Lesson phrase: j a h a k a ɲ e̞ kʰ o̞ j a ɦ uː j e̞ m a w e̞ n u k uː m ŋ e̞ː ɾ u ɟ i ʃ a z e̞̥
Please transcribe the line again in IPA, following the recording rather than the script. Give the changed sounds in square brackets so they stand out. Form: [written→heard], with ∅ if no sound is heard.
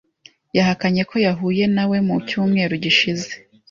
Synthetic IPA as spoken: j a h a k a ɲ e̞ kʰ o̞ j a ɦ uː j e̞ [m→n] a w e̞ [n→m] u [k→c] uː m ŋ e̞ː ɾ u ɟ i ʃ [a→i] z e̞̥